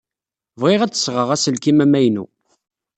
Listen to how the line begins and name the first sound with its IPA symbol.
v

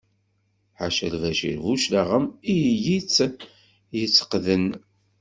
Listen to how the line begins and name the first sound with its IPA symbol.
ħ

